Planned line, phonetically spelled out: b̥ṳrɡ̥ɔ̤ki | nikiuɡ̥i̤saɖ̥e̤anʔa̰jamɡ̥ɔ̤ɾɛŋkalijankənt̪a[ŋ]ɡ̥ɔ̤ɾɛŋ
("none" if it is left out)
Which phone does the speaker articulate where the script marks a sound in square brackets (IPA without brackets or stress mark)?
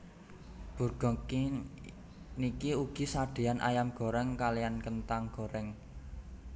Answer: ŋ